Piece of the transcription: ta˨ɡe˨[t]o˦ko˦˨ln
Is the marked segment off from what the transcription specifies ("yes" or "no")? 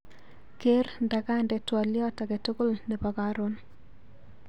no